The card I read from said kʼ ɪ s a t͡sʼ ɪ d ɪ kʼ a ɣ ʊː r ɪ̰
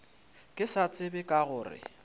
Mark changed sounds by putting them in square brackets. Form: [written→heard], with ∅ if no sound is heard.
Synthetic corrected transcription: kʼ ɪ s a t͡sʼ ɪ [d→b] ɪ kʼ a ɣ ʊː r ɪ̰